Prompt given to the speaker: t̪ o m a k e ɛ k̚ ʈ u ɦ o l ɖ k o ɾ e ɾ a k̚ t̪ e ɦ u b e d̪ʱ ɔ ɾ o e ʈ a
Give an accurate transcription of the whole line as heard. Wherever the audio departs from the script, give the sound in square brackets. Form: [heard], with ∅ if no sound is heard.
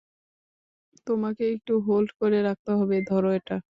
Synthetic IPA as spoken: t̪ o m a k e [e] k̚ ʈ u ɦ o l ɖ k o ɾ e ɾ a k̚ t̪ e ɦ [ɔ] b e d̪ʱ ɔ ɾ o e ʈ a